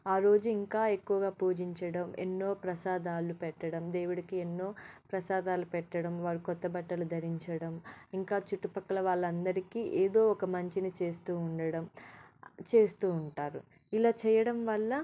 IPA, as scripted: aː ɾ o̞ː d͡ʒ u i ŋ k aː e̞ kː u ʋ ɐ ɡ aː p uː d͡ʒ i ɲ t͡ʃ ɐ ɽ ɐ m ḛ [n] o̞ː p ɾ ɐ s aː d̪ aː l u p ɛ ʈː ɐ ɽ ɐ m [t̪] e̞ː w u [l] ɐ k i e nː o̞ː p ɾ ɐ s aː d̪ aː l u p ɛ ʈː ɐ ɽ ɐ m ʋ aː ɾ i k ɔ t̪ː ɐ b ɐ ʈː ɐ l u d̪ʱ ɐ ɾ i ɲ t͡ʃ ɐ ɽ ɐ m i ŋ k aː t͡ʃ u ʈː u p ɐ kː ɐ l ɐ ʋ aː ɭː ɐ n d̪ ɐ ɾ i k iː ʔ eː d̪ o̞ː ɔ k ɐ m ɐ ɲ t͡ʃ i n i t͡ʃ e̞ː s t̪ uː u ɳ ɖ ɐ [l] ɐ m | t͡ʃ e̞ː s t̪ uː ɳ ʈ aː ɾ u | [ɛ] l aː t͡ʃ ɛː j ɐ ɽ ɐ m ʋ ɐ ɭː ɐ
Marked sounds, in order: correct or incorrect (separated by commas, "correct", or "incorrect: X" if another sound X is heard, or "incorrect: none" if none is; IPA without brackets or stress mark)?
incorrect: nː, incorrect: d̪, incorrect: ɽ, incorrect: ɽ, incorrect: i